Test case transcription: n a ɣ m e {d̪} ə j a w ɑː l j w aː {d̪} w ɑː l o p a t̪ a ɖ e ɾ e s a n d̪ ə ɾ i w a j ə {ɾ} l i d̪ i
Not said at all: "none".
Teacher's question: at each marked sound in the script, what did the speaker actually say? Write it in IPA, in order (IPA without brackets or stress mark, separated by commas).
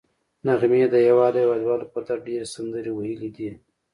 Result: d̪, d̪, none